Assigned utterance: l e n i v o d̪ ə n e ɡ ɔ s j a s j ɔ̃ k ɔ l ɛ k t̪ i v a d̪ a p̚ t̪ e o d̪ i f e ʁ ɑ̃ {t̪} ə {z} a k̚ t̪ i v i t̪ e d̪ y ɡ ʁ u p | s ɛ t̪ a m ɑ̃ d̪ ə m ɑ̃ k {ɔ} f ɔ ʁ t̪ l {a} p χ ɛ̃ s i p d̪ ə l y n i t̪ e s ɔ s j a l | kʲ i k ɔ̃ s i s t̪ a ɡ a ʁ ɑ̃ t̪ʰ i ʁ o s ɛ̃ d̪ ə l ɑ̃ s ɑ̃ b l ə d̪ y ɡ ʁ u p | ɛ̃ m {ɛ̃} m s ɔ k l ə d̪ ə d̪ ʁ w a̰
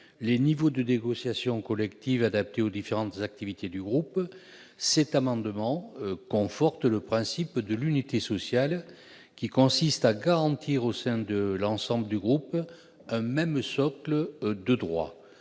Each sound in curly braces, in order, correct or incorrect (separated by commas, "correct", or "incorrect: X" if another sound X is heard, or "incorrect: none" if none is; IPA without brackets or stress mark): correct, correct, incorrect: ɔ̃, incorrect: ə, incorrect: ɛ